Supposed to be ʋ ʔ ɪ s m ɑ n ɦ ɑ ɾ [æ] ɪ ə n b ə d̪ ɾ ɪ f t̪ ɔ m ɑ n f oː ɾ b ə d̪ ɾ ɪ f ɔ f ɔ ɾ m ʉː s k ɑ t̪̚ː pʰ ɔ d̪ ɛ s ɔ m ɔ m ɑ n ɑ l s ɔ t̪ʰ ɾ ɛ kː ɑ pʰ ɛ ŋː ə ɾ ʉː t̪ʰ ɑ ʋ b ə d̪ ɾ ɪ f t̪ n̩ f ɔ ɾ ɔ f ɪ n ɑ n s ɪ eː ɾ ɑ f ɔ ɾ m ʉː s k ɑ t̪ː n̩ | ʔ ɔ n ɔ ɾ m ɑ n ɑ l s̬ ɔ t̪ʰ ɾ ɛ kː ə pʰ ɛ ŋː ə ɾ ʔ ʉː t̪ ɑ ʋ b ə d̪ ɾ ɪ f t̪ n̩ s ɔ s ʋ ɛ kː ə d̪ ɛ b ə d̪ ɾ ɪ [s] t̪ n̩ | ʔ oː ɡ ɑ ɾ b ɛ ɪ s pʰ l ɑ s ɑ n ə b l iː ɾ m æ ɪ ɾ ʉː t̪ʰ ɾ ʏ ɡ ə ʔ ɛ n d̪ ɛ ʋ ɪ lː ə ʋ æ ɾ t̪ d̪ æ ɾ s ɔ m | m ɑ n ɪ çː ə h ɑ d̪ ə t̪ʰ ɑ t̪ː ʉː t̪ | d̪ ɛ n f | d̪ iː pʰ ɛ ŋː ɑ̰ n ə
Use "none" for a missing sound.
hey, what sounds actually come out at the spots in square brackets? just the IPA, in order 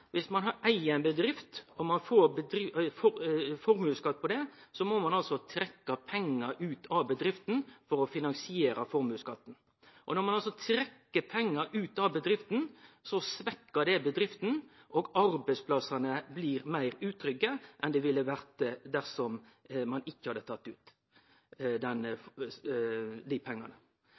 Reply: æ, f

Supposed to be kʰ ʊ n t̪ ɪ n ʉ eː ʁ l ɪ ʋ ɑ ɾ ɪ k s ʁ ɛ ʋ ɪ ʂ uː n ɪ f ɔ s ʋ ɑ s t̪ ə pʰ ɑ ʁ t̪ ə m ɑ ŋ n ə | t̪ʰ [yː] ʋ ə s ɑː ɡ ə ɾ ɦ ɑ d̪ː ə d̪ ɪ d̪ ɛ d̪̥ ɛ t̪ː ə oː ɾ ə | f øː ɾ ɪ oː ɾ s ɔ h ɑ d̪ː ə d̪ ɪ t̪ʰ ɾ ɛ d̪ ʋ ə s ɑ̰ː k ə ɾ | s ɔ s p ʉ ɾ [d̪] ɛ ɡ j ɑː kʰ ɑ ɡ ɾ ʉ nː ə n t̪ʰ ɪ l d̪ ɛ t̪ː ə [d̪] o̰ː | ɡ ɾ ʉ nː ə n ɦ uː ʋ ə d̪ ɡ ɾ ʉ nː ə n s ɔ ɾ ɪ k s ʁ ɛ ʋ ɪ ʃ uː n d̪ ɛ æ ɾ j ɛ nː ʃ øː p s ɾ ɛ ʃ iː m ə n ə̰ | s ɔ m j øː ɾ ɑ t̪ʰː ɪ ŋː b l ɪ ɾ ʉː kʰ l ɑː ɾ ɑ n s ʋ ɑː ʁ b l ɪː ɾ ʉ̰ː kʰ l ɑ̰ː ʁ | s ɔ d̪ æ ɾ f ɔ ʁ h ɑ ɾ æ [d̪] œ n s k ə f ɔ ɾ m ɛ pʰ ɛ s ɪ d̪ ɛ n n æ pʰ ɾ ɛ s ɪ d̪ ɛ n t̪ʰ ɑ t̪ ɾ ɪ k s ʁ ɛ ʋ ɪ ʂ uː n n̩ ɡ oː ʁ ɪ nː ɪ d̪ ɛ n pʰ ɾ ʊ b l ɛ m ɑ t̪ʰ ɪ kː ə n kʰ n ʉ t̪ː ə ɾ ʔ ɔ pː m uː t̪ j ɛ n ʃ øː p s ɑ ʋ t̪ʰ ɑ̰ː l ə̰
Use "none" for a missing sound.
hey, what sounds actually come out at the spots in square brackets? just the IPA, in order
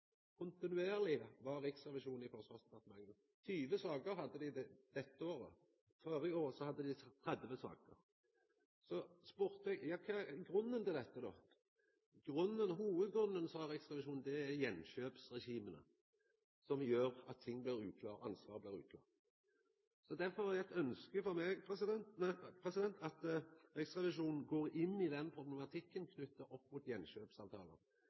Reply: yː, t̪, d̪, t̪

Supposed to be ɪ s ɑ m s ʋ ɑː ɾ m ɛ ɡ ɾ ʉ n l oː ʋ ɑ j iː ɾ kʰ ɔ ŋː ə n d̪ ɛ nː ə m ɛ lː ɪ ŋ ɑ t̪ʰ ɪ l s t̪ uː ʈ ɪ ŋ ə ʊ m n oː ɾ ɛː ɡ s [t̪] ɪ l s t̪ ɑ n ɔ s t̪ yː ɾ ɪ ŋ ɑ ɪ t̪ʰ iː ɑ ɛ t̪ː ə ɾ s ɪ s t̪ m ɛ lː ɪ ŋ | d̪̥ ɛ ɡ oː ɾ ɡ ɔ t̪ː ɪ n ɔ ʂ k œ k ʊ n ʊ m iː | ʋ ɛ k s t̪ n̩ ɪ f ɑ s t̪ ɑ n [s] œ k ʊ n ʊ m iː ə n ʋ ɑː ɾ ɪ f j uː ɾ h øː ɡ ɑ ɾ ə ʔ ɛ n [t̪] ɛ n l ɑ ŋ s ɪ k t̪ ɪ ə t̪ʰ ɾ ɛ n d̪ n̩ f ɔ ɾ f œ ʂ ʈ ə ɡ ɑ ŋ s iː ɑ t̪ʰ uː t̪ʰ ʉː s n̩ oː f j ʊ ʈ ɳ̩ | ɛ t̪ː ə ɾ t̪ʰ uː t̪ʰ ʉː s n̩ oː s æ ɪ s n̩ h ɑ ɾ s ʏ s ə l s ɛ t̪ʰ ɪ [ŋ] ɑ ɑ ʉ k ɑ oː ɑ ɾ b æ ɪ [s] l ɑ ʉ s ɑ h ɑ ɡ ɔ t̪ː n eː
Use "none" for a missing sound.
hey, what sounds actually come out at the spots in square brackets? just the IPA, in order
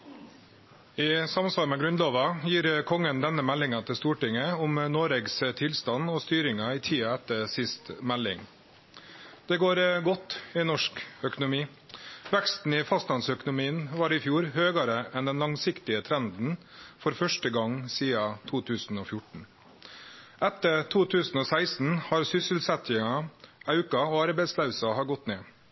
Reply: t̪ʰ, s, d̪, ŋ, s

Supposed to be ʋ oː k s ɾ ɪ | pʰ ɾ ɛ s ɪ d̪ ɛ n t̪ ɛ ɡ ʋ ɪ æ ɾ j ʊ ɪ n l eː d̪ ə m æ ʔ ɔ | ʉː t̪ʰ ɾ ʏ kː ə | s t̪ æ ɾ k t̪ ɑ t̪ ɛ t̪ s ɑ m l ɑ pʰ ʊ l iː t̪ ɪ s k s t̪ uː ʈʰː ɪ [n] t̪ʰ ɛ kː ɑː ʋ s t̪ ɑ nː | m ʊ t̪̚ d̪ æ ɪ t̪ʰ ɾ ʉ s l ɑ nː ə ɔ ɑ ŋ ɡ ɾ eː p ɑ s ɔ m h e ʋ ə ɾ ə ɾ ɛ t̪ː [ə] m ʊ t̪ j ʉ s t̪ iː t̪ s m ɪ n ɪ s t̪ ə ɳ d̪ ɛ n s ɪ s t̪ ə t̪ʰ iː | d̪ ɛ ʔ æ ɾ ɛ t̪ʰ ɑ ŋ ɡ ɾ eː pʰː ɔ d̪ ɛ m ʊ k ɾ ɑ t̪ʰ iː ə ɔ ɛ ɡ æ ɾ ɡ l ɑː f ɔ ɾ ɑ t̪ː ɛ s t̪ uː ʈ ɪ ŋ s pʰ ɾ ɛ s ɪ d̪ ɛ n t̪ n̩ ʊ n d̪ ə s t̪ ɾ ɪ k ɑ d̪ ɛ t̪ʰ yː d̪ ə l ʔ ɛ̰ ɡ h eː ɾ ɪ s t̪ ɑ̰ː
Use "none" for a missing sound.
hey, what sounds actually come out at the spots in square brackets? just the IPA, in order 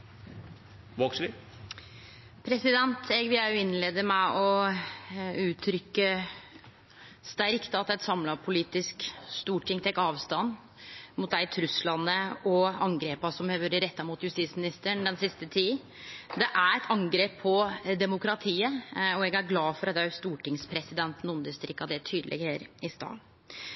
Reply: ŋ, ɑ

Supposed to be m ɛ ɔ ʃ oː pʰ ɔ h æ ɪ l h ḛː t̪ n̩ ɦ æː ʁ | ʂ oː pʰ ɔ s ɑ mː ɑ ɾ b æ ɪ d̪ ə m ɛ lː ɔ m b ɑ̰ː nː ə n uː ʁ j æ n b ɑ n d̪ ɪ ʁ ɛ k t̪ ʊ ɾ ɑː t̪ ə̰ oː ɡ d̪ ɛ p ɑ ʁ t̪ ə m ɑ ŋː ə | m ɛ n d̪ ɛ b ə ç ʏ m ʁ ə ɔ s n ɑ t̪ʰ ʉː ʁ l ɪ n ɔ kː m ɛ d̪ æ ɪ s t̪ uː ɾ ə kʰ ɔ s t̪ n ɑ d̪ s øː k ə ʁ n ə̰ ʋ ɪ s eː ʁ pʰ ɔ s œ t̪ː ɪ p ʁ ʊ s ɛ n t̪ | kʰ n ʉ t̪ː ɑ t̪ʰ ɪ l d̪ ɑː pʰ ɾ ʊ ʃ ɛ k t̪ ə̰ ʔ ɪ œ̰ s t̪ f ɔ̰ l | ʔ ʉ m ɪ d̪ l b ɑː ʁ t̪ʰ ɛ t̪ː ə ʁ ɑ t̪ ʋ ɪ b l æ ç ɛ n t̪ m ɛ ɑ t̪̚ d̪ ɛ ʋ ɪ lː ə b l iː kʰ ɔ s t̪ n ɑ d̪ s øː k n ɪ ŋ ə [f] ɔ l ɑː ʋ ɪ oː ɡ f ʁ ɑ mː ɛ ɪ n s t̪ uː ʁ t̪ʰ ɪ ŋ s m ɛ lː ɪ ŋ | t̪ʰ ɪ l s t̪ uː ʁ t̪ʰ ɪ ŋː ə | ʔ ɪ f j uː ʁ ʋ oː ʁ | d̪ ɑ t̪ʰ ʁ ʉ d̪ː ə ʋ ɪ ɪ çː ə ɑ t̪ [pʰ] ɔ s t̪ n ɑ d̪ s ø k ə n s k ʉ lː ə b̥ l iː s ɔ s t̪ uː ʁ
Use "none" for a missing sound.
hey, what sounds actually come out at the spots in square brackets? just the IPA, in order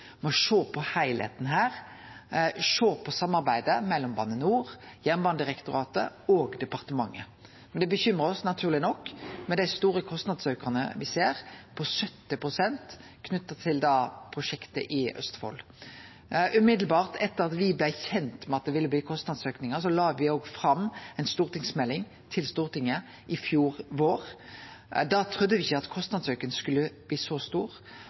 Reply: s, kʰ

